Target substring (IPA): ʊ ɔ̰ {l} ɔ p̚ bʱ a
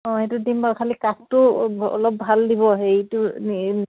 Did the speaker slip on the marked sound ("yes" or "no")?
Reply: no